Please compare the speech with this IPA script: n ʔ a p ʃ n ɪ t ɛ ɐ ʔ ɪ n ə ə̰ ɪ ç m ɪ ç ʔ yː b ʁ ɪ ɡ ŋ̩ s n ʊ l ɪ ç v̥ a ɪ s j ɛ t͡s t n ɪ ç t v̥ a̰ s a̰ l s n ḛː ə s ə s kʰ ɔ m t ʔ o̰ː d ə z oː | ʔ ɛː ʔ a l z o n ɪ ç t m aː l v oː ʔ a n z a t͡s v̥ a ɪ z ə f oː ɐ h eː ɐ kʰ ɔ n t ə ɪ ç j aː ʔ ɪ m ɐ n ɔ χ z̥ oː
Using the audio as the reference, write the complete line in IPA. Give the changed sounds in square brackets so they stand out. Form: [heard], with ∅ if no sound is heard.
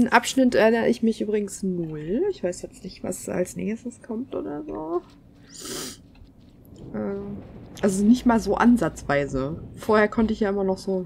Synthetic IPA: n ʔ a p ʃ n ɪ t ɛ ɐ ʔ ɪ n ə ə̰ ɪ ç m ɪ ç ʔ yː b ʁ ɪ ɡ ŋ̩ s n ʊ l ɪ ç v̥ a ɪ s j ɛ t͡s t n ɪ ç t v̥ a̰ s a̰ l s n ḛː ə s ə s kʰ ɔ m t ʔ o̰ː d [ɐ] z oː | ʔ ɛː ʔ a l z o n ɪ ç t m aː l [z] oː ʔ a n z a t͡s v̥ a ɪ z ə f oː ɐ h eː ɐ kʰ ɔ n t ə ɪ ç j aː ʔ ɪ m ɐ n ɔ χ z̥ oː